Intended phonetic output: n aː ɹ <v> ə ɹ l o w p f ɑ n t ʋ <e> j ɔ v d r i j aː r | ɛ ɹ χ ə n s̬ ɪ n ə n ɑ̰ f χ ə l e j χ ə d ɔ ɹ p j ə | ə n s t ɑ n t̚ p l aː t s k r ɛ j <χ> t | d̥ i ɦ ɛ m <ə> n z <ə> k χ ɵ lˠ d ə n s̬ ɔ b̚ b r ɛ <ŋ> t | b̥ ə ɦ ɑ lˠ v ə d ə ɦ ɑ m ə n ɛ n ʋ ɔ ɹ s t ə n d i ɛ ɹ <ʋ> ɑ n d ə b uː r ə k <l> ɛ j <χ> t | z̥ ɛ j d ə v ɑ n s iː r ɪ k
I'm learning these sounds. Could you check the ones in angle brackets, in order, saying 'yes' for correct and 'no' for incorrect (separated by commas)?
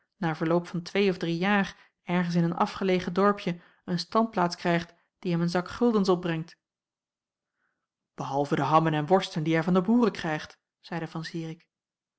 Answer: yes, yes, yes, yes, no, yes, no, no, yes